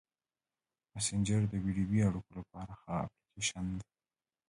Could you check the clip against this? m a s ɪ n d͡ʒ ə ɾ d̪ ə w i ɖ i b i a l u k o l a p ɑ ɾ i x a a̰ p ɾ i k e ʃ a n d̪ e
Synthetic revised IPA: m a s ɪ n d͡ʒ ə ɾ d̪ ə w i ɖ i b i a ɽ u k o l a p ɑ ɾ a x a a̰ p l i k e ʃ a n d̪ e